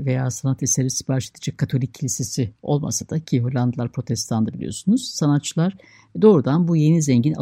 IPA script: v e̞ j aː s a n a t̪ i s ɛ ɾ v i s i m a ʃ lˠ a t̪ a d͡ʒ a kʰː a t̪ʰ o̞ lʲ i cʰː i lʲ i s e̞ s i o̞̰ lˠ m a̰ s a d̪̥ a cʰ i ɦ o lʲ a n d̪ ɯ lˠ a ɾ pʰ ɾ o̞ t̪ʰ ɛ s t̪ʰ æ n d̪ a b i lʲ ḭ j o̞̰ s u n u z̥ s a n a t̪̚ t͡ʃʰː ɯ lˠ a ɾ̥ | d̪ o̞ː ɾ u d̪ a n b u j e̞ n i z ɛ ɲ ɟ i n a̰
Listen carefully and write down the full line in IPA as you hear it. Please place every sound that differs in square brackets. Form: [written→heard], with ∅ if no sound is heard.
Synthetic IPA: v e̞ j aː s a n a t̪ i s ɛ ɾ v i s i [m→b] a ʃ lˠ a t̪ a d͡ʒ a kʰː a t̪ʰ o̞ lʲ i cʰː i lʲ i s e̞ s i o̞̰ lˠ m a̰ s a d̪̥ a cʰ i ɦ o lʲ a n d̪ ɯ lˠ a ɾ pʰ ɾ o̞ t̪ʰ ɛ s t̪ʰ [æ→a] n d̪ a b i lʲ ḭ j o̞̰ s u n u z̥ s a n a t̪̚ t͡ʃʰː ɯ lˠ a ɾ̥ | d̪ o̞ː ɾ u d̪ a n b u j e̞ n i z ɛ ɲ ɟ i n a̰